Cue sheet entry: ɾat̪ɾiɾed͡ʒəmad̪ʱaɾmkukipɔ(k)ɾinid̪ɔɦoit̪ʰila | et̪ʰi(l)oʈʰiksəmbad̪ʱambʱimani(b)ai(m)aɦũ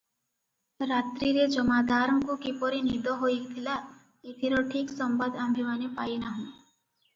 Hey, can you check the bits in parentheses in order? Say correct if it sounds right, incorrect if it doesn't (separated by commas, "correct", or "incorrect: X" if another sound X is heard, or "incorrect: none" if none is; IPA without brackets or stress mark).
incorrect: none, incorrect: ɾ, incorrect: p, incorrect: n